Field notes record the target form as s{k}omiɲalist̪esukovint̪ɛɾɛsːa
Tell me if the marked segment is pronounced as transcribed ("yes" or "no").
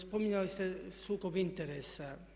no